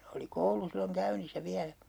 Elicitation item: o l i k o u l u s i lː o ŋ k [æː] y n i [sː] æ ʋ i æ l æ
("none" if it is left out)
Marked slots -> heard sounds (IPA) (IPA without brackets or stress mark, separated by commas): æ, sː